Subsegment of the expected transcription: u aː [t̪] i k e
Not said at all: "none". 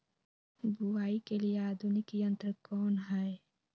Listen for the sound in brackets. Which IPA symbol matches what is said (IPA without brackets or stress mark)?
none